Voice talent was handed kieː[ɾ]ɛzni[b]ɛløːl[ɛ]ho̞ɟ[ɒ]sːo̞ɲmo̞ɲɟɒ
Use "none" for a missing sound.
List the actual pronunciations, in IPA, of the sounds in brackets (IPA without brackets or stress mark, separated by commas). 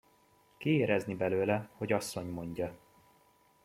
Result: ɾ, b, ɛ, ɒ